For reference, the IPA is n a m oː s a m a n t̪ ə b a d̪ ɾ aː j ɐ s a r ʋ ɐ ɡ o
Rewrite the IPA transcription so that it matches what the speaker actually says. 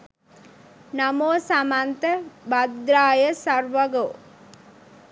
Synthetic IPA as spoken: n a m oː s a m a n t̪ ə b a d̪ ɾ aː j ə s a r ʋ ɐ ɡ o